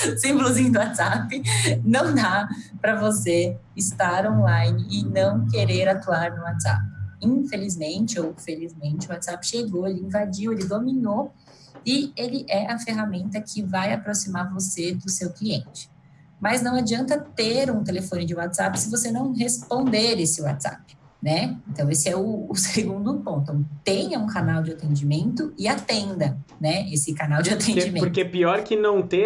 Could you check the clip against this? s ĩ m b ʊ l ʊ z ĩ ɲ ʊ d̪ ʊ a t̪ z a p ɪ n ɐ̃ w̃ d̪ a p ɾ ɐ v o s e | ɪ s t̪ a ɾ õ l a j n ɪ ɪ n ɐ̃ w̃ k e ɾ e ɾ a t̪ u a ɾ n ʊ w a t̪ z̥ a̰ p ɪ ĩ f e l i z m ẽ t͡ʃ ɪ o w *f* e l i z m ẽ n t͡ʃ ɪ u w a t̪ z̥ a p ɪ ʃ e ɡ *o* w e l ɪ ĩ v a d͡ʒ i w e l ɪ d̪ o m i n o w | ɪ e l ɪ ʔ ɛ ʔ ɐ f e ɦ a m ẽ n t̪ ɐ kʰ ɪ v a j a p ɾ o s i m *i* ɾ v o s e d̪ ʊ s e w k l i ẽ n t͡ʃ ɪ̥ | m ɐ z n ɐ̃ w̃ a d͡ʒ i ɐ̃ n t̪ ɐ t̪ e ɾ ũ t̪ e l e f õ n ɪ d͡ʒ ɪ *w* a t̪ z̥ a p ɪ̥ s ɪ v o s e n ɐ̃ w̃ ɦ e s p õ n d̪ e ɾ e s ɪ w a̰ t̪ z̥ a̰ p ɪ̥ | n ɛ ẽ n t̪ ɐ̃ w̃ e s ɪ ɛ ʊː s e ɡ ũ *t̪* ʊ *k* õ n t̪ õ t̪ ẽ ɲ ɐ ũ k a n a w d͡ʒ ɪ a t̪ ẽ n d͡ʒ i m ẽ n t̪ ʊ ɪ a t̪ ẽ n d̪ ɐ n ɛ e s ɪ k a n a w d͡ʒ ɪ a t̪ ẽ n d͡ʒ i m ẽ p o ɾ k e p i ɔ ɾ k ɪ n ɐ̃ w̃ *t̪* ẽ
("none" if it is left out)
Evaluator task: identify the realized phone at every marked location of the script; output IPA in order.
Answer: f, o, a, w, d̪, p, t̪

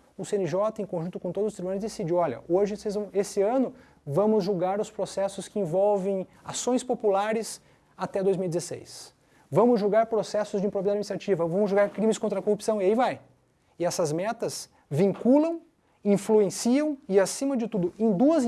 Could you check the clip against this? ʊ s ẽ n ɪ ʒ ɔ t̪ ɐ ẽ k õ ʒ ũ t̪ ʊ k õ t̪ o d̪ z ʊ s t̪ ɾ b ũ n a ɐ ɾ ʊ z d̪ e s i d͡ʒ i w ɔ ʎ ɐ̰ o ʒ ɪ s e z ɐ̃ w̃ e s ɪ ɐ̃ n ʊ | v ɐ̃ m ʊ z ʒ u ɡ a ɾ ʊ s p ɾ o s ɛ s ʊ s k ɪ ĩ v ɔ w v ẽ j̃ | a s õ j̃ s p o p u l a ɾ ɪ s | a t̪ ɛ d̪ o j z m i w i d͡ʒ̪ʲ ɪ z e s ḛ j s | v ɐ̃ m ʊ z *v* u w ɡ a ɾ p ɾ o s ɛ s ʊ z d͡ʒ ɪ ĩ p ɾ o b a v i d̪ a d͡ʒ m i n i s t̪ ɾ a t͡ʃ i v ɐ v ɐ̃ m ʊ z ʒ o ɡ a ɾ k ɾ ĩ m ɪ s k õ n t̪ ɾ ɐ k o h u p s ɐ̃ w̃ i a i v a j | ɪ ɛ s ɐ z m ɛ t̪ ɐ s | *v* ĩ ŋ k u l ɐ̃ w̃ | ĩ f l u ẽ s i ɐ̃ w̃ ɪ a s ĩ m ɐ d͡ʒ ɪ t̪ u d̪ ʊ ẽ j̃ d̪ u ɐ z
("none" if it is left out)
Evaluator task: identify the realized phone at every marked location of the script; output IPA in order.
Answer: ʒ, v

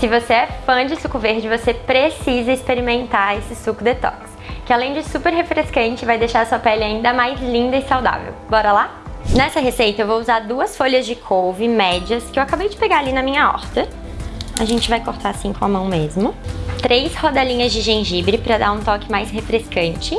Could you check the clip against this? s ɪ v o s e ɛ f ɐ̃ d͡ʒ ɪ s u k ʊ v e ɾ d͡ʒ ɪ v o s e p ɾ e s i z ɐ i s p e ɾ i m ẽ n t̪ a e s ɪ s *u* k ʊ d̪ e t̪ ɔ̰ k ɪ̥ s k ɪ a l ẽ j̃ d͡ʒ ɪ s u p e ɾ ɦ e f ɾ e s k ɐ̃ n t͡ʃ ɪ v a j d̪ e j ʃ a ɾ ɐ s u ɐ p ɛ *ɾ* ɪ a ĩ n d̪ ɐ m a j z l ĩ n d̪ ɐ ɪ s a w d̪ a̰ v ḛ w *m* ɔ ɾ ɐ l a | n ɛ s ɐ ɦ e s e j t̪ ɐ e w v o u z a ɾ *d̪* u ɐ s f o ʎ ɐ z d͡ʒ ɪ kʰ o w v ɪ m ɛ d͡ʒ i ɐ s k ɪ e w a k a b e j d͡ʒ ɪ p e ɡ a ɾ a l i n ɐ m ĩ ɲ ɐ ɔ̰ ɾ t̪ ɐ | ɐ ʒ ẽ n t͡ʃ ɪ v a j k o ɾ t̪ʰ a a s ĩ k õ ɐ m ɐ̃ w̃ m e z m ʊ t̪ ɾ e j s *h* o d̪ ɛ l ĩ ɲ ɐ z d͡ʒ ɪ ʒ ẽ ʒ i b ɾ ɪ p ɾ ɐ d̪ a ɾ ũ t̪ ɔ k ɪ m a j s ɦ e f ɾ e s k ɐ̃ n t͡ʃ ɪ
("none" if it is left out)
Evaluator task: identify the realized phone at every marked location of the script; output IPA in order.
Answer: u, l, b, d̪, h

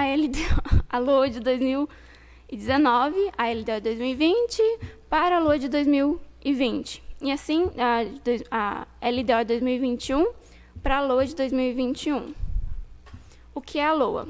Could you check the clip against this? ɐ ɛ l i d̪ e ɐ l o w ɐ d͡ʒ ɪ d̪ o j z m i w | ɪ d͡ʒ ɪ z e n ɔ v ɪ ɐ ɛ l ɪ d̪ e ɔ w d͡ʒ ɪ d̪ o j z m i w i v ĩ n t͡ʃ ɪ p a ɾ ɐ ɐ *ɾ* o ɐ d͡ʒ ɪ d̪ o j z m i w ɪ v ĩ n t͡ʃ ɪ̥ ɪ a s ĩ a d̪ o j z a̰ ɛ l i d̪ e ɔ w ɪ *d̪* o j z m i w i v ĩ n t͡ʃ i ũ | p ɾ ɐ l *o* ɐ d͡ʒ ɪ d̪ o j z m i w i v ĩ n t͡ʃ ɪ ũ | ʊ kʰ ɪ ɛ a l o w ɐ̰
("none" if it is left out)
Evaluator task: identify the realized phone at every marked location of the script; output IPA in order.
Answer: l, d̪, o

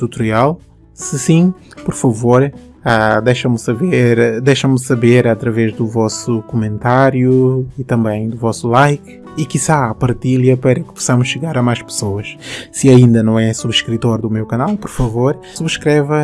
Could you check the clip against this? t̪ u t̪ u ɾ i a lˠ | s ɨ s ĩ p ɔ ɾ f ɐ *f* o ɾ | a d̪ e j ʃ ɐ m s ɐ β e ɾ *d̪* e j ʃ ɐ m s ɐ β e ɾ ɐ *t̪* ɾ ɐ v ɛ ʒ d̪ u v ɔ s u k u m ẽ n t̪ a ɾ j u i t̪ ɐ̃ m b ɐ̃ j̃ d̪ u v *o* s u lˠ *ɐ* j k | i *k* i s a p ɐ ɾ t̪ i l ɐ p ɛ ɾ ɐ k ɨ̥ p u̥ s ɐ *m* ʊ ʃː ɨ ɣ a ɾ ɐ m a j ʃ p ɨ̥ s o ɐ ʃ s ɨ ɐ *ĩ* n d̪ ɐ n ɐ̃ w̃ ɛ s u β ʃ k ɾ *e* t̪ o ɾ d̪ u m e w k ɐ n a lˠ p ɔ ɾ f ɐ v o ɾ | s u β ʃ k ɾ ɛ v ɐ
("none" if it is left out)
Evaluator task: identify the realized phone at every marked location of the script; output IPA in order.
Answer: v, d̪, t̪, ɔ, a, k, m, ĩ, i

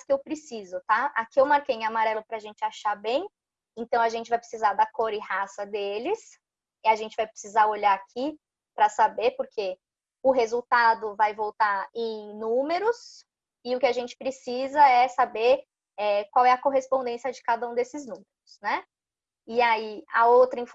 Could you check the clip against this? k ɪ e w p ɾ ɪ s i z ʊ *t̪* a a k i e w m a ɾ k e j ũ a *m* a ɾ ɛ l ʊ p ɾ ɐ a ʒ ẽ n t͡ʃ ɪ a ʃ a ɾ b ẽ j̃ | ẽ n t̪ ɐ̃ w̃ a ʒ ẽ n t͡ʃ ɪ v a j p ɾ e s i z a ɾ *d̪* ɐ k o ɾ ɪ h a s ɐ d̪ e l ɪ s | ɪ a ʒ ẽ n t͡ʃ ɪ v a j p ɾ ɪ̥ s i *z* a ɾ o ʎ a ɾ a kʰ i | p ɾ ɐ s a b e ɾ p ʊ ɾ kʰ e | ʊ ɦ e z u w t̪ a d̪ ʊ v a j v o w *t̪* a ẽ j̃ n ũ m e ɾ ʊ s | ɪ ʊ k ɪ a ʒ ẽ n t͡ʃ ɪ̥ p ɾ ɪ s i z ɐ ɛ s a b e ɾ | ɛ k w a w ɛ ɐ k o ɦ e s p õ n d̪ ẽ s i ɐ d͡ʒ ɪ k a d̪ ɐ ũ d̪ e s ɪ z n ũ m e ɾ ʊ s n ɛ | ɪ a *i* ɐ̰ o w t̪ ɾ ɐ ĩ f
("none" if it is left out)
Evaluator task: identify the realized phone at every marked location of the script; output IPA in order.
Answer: t̪, m, d̪, z, t̪, i

